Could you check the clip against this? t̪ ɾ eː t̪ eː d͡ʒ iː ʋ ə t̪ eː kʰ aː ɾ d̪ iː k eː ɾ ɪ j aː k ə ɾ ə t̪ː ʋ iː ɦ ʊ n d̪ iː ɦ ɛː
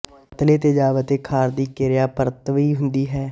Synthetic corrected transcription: t̪ l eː t̪ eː d͡ʒ aː ʋ ə t̪ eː kʰ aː ɾ d̪ iː k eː ɾ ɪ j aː p ə ɾ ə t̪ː ʋ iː ɦ ʊ n d̪ iː ɦ ɛː

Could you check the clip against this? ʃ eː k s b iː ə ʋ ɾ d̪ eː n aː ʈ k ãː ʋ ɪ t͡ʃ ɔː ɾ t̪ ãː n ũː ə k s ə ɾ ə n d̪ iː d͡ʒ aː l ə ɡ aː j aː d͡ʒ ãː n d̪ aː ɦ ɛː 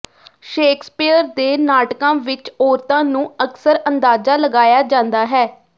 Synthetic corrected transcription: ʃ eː k s p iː ə ɾ d̪ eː n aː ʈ k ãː ʋ ɪ t͡ʃ ɔː ɾ t̪ ãː n ũː ə k s ə ɾ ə n d̪ aː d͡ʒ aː l ə ɡ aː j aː d͡ʒ ãː n d̪ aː ɦ ɛː

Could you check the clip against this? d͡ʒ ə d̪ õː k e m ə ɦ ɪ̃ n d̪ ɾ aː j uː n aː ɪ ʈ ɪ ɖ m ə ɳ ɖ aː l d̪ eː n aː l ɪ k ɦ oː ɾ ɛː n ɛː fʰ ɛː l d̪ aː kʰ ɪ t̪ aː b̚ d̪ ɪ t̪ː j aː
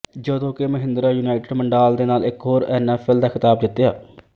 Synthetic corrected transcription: d͡ʒ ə d̪ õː k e m ə ɦ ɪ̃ n d̪ ɾ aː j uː n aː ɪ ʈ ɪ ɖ m ə ɳ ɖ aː l d̪ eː n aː l ɪ k ɦ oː ɾ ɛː n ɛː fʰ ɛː l d̪ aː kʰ ɪ t̪ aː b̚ d̪ ɪ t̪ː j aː

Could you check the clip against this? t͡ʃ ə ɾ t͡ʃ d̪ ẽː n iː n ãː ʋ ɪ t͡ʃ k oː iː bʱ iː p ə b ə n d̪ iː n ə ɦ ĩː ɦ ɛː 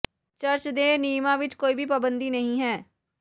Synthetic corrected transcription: t͡ʃ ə ɾ t͡ʃ d̪ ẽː n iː m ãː ʋ ɪ t͡ʃ k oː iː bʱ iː p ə b ə n d̪ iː n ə ɦ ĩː ɦ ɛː

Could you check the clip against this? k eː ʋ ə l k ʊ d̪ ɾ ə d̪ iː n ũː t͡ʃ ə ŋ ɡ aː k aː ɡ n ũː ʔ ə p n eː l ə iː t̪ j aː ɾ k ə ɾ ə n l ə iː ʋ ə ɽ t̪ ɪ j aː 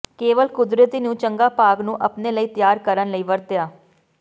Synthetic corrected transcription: k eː ʋ ə l k ʊ d̪ ɾ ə t̪ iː n ũː t͡ʃ ə ŋ ɡ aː p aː ɡ n ũː ʔ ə p n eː l ə iː t̪ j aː ɾ k ə ɾ ə n l ə iː ʋ ə ɾ t̪ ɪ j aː

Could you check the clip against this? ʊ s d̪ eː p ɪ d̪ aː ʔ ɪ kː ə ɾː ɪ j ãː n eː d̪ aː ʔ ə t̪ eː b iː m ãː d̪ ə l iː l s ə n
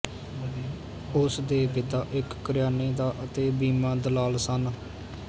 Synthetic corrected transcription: ʊ s d̪ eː p ɪ t̪ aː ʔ ɪ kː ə ɾ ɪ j aː n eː d̪ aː ʔ ə t̪ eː b iː m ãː d̪ ə l aː l s ə n

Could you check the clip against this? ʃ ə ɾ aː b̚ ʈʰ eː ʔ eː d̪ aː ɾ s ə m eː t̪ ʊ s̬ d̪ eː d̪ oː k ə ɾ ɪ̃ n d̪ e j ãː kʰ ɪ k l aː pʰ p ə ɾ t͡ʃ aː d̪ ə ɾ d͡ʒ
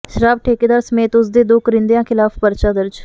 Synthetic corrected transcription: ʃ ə ɾ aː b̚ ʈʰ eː k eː d̪ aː ɾ s ə m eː t̪ ʊ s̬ d̪ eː d̪ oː k ə ɾ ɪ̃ n d̪ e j ãː kʰ ɪ l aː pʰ p ə ɾ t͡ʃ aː d̪ ə ɾ d͡ʒ

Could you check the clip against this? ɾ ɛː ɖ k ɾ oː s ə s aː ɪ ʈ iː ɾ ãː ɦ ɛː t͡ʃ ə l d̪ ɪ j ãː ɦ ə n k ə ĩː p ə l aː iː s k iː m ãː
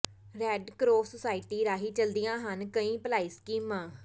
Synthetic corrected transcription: ɾ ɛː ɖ k ɾ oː s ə s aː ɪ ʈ iː ɾ aː ɦ iː t͡ʃ ə l d̪ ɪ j ãː ɦ ə n k ə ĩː p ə l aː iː s k iː m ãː

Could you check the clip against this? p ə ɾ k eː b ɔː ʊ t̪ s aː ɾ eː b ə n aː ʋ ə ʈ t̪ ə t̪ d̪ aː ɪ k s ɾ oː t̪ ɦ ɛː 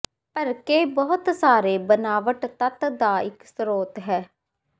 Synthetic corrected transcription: p ə ɾ k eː b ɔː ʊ t̪ s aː ɾ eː b ə n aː ʋ ə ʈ t̪ ə t̪ d̪ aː ɪ k s ɾ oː t̪ ɦ ɛː

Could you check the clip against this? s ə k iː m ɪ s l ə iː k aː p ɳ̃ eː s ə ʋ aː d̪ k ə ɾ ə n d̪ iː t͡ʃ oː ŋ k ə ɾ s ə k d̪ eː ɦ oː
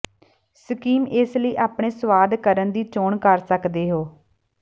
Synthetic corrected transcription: s ə k iː m ɪ s l ə iː ʔ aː p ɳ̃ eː s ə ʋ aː d̪ k ə ɾ ə n d̪ iː t͡ʃ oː ɳ k ə ɾ s ə k d̪ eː ɦ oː

